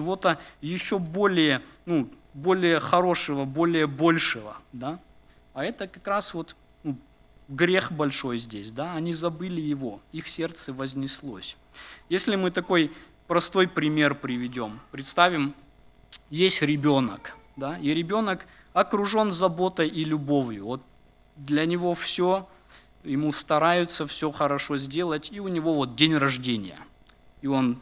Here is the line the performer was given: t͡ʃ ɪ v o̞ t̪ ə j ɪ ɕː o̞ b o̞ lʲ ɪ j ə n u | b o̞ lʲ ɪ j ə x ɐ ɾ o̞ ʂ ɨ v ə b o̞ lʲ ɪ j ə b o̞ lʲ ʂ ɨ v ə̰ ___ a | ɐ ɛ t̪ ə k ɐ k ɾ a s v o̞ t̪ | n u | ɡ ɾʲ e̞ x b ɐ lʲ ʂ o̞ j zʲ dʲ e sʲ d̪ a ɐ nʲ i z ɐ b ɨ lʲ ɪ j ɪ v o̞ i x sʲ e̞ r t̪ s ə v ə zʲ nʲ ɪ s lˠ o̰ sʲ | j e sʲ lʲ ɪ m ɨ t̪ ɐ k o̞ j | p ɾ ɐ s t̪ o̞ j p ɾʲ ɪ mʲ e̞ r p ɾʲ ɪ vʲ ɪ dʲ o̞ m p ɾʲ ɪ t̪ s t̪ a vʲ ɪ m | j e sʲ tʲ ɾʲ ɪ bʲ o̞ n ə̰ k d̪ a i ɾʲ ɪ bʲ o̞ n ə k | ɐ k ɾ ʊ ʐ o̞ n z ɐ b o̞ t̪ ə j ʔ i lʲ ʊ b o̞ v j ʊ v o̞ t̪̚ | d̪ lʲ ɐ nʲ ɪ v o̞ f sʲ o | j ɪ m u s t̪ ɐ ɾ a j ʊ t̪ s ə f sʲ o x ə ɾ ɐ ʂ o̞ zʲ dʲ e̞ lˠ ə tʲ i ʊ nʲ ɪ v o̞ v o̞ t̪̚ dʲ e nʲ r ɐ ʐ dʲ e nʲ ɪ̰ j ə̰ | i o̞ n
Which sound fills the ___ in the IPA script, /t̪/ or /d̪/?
d̪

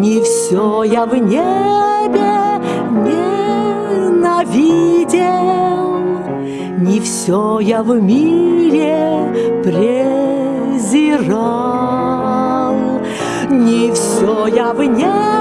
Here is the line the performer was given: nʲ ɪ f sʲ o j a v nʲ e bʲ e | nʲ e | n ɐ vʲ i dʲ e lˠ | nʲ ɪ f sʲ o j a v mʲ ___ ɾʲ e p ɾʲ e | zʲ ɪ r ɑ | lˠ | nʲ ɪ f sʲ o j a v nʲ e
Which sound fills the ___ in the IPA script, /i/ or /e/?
i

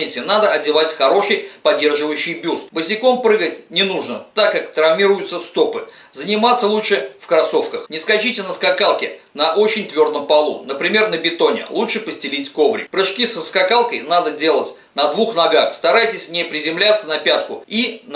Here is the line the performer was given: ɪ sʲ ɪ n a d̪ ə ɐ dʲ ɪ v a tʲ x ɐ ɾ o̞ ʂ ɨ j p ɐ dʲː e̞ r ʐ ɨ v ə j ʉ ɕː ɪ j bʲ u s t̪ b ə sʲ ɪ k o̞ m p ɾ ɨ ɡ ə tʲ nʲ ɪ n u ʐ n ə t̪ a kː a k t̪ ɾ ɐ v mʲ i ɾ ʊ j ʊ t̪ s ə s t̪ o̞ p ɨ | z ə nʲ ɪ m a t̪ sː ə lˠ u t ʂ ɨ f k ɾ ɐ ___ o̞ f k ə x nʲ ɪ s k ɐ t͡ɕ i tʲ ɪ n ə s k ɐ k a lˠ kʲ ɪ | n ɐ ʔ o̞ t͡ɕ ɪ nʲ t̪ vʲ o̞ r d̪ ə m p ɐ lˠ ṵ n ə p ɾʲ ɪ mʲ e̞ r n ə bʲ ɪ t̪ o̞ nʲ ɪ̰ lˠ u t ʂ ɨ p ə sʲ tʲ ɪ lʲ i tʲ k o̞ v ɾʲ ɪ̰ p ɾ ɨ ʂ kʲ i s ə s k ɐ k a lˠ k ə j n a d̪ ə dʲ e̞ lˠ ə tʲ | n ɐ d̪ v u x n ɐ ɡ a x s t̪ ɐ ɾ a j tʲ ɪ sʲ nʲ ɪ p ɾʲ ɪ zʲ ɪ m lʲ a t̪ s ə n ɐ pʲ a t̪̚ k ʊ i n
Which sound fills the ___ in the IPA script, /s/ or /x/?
s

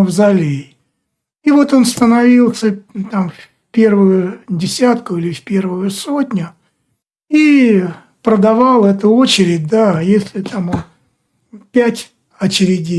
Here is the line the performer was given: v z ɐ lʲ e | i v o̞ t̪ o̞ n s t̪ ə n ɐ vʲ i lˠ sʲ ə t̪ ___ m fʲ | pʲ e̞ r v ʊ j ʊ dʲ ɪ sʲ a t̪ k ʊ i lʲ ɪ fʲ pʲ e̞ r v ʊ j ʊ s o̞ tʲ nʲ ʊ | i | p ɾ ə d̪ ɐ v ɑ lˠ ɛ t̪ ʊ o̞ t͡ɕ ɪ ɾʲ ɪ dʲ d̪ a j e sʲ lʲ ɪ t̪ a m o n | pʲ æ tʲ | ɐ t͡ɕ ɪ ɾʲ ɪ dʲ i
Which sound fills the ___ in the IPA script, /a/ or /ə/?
a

